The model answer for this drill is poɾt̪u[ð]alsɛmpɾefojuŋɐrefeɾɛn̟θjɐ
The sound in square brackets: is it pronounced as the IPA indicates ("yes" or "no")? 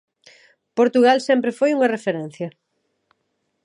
no